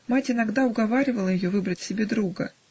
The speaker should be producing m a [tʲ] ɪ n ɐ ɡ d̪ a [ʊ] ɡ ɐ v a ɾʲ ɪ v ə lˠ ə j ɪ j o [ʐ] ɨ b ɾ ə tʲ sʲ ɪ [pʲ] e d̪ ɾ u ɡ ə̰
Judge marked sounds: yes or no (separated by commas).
yes, yes, no, no